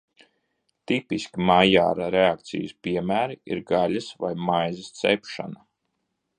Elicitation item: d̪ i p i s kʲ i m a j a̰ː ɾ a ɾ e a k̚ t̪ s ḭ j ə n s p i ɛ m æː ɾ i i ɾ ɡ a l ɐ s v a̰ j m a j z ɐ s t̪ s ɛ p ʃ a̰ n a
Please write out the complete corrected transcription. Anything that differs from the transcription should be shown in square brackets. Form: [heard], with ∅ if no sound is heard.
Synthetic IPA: [t̪] i p i s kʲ i m a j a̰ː ɾ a ɾ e a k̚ t̪ s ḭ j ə [∅] s p i ɛ m æː ɾ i i ɾ ɡ a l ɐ s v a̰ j m a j z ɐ s t̪ s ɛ p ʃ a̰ n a